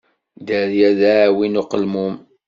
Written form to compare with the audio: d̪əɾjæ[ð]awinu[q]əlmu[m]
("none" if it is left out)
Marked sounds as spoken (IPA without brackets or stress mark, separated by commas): ð, q, m